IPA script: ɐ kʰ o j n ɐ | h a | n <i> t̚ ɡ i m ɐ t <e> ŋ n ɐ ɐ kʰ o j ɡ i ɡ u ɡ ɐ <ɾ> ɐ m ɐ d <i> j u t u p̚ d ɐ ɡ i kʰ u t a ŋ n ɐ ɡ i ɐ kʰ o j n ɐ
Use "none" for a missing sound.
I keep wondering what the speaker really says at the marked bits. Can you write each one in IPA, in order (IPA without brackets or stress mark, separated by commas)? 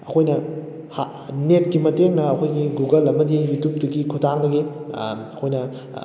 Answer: e, e, l, i